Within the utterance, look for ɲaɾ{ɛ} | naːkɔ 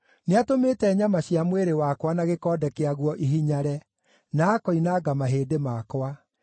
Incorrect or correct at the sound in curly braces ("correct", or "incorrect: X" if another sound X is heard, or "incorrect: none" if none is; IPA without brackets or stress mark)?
correct